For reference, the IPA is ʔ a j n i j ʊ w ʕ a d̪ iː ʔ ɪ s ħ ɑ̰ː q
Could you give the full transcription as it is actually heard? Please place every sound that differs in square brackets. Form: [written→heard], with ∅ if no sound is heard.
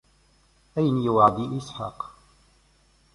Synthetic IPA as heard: ʔ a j n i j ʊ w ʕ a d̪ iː ʔ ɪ s ħ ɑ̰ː q